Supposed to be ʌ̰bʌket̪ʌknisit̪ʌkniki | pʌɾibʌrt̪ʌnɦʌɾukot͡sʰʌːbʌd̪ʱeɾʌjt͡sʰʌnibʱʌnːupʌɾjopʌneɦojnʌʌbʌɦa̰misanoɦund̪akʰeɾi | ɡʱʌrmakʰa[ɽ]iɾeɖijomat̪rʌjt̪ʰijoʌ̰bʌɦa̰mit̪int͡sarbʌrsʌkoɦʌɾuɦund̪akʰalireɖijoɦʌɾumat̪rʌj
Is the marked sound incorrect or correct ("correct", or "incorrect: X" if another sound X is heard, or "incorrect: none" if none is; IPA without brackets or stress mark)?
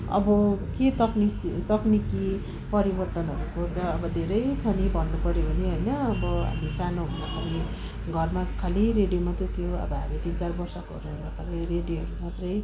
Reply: incorrect: l